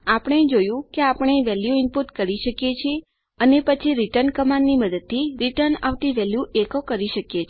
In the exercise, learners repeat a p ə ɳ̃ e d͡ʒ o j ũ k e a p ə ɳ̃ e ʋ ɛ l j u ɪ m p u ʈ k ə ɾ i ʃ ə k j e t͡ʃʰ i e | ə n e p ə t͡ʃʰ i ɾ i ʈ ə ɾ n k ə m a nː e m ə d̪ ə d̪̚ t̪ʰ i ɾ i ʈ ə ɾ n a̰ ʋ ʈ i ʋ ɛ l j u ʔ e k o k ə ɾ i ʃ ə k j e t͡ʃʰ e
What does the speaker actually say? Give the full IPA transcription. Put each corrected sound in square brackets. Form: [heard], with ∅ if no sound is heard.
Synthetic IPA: a p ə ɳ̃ e d͡ʒ o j ũ k e a p ə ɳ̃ e ʋ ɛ l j u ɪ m p u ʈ k ə ɾ i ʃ ə k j e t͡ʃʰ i e | ə n e p ə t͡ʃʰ i ɾ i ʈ ə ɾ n k ə m a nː [i] m ə d̪ ə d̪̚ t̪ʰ i ɾ i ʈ ə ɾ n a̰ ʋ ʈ i ʋ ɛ l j u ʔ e k o k ə ɾ i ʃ ə k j e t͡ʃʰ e

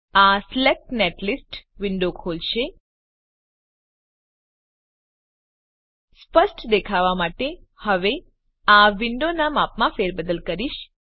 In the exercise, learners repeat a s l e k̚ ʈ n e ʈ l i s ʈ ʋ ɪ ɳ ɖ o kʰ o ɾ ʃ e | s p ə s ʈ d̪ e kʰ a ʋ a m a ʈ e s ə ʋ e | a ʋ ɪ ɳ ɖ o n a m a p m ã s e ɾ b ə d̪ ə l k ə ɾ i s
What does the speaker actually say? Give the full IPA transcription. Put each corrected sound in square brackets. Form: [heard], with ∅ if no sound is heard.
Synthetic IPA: a s l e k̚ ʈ n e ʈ l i s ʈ ʋ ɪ ɳ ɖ o kʰ o [l] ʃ e | s p ə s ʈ d̪ e kʰ a ʋ a m a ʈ e [h] ə ʋ e | a ʋ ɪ ɳ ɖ o n a m a p m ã [f] e ɾ b ə d̪ ə l k ə ɾ i [ʃ]

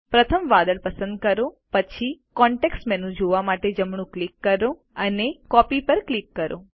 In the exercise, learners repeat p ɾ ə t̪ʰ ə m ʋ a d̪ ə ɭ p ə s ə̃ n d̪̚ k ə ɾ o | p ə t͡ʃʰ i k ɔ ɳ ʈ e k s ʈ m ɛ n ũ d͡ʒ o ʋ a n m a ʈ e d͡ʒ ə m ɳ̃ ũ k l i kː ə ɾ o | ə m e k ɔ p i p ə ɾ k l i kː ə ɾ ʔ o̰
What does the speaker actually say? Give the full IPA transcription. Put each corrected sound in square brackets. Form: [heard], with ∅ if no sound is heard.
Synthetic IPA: p ɾ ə t̪ʰ ə m ʋ a d̪ ə ɭ p ə s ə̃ n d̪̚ k ə ɾ o | p ə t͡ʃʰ i k ɔ ɳ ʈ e k s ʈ m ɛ n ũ d͡ʒ o ʋ a [∅] m a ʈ e d͡ʒ ə m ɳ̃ ũ k l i kː ə ɾ o | ə [n] e k ɔ p i p ə ɾ k l i kː ə ɾ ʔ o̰

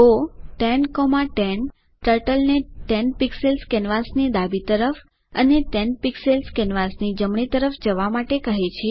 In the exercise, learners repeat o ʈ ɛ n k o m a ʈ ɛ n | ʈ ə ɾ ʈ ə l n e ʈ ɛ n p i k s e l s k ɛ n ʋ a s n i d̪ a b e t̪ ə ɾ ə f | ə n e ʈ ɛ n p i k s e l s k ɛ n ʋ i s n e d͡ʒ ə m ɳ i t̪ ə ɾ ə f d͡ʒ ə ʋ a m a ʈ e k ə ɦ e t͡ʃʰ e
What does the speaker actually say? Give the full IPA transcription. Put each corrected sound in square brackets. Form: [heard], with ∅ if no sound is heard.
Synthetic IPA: o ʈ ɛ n k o m a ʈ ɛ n | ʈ ə ɾ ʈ ə l n e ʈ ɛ n p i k s e l s k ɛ n ʋ a s n i d̪ a b [i] t̪ ə ɾ ə f | ə n e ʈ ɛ n p i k s e l s k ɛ n ʋ [a] s n [i] d͡ʒ ə m ɳ i t̪ ə ɾ ə f d͡ʒ ə ʋ a m a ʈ e k ə ɦ e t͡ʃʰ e

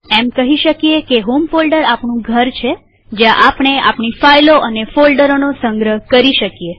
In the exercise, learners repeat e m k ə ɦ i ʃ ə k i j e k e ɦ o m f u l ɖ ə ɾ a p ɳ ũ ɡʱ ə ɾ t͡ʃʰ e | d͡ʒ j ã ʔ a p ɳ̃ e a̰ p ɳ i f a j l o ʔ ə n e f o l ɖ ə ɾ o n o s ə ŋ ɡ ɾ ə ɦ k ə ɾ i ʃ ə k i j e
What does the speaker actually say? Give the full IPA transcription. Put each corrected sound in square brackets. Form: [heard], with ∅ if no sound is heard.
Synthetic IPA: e m k ə ɦ i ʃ ə k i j e k e ɦ o m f [o] l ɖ ə ɾ a p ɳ ũ ɡʱ ə ɾ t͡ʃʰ e | d͡ʒ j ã ʔ a p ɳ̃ e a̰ p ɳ i f a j l o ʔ ə n e f o l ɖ ə ɾ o n o s ə ŋ ɡ ɾ ə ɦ k ə ɾ i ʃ ə k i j e

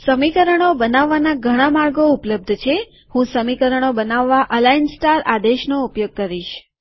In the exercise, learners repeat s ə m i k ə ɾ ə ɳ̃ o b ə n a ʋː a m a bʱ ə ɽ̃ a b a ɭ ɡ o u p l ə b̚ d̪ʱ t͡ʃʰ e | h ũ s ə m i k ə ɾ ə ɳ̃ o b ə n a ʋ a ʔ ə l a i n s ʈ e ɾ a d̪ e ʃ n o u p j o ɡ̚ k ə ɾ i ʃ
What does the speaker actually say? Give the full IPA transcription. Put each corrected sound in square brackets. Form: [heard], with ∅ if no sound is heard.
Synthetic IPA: s ə m i k ə ɾ ə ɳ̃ o b ə n a ʋː a [n] a [ɡʱ] ə ɽ̃ a [m] a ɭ ɡ o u p l ə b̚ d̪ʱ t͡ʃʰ e | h ũ s ə m i k ə ɾ ə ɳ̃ o b ə n a [ʋː] a ʔ ə l a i n s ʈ [a] ɾ a d̪ e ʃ n o u p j o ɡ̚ k ə ɾ i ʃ

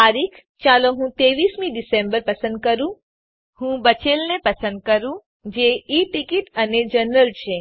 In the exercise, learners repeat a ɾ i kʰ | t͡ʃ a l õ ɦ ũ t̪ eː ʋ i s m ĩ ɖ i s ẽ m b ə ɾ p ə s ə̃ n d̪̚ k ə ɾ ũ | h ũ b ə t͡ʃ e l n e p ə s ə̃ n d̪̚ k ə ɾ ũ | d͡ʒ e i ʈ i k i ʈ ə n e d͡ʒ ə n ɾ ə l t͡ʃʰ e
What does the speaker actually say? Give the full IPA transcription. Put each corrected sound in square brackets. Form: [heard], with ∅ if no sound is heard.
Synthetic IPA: a ɾ i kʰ | t͡ʃ a l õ ɦ ũ t̪ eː ʋ i s m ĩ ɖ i s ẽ m b ə ɾ p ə s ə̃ n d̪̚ k ə ɾ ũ | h ũ b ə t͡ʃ e l n e p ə s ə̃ n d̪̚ k ə ɾ ũ | d͡ʒ e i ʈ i k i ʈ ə n e d͡ʒ ə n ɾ ə l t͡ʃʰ e

